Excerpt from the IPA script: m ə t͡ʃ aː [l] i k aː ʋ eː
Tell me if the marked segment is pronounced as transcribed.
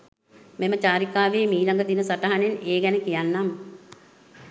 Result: no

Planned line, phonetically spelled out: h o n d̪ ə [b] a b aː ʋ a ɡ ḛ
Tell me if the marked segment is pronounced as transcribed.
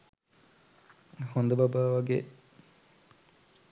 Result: yes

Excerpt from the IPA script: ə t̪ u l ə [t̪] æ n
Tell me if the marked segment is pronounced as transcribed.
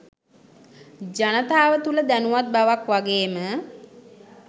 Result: no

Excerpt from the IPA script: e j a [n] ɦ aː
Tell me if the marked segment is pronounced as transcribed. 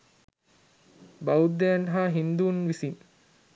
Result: yes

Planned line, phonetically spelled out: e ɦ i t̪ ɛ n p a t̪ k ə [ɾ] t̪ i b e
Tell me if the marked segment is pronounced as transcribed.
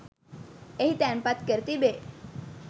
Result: yes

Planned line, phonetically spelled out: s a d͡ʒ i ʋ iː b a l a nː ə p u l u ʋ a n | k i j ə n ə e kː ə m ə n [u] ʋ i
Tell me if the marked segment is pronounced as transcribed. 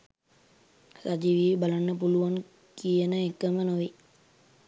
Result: no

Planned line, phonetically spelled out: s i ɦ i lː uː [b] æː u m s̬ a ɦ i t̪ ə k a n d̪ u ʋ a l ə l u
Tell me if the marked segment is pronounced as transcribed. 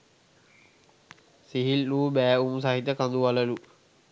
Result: yes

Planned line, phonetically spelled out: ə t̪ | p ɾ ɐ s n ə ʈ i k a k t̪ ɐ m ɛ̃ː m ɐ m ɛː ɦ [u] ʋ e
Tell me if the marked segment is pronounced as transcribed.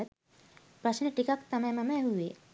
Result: yes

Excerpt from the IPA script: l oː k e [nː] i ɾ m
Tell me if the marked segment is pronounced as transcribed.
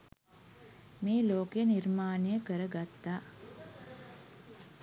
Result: no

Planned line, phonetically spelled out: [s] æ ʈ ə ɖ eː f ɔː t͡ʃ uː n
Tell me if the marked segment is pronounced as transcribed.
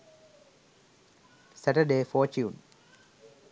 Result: yes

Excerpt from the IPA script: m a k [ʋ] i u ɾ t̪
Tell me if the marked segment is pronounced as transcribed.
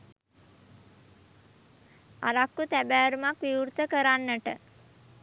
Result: yes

